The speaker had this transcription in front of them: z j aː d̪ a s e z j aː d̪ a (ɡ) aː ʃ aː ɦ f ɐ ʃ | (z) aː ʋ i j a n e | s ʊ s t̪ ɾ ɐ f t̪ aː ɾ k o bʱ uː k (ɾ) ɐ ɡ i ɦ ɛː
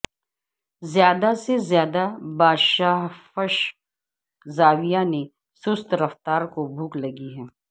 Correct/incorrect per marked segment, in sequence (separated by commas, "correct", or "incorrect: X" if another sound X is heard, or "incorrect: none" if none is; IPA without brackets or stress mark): incorrect: b, correct, incorrect: l